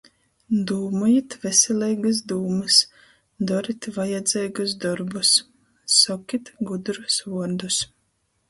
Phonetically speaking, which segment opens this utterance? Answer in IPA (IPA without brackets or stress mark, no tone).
d̪